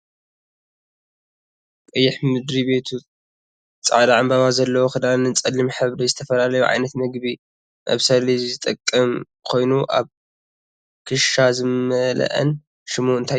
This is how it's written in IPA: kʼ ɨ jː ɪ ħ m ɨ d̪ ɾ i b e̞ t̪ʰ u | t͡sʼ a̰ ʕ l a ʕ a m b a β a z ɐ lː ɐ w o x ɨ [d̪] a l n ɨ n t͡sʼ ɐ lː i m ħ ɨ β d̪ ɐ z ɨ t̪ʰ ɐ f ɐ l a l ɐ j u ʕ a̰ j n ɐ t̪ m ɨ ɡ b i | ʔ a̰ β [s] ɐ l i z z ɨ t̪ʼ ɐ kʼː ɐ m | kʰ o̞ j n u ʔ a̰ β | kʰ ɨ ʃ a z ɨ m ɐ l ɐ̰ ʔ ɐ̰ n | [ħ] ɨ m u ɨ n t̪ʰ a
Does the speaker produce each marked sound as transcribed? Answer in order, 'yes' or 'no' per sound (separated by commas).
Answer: yes, yes, no